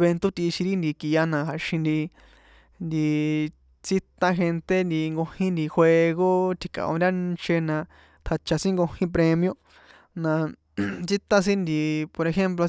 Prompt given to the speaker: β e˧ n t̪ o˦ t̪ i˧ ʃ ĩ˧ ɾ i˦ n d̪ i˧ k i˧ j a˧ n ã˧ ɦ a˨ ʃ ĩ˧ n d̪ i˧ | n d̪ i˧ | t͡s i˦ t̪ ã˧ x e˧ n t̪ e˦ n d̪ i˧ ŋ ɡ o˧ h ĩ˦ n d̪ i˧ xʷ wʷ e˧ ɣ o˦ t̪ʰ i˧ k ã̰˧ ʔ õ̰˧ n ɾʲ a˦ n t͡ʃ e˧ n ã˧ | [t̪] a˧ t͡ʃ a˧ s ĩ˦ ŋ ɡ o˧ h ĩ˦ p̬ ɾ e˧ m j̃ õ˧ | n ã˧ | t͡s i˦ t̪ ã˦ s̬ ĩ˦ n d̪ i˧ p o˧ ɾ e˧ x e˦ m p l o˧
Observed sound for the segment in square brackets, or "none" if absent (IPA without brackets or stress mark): t̪ʰ